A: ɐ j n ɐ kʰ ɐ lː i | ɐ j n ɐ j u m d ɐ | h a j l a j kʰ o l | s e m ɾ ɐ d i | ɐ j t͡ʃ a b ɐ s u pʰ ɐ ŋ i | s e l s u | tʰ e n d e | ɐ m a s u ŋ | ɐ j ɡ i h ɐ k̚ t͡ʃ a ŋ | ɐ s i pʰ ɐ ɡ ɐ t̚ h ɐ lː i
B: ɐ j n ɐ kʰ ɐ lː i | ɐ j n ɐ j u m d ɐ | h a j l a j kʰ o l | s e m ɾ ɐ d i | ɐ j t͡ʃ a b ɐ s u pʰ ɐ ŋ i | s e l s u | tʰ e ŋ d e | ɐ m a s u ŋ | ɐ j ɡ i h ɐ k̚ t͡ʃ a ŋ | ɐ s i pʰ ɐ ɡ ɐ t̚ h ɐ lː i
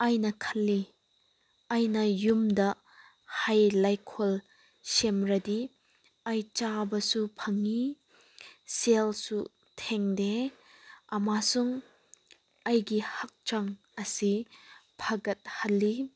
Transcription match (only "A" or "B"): B